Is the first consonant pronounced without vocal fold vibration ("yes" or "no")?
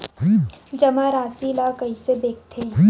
no